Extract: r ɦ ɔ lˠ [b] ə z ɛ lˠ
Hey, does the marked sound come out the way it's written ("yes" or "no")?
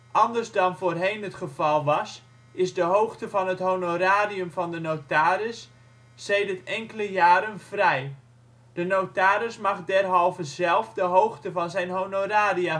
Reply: no